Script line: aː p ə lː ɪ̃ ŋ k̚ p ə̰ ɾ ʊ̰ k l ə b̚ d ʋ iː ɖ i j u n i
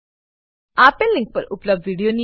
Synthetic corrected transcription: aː p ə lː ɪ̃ ŋ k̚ p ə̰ ɾ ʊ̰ p l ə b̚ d ʋ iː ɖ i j o n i